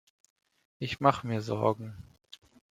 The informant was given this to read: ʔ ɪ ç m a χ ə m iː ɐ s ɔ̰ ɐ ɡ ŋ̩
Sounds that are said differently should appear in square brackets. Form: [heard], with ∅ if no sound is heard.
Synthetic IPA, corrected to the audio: ʔ ɪ ç m a χ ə m iː ɐ [z] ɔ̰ ɐ ɡ ŋ̩